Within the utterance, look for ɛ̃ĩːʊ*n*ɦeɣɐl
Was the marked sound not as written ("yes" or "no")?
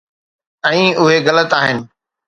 yes